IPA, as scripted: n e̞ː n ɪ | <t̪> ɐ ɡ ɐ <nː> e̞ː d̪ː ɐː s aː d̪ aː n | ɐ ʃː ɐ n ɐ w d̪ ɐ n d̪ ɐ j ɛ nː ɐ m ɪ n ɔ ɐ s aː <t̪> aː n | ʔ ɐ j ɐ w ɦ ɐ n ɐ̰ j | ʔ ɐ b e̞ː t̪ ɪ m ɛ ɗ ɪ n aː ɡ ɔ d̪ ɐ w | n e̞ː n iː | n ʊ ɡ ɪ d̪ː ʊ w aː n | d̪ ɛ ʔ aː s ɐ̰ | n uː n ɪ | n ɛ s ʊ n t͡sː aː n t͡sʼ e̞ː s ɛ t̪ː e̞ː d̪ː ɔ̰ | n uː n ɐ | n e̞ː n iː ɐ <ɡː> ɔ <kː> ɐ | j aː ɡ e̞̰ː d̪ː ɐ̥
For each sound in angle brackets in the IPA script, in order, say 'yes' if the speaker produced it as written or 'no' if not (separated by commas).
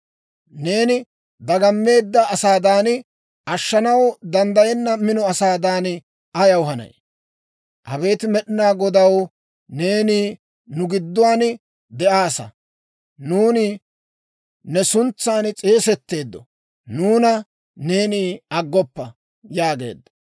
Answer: no, no, no, yes, no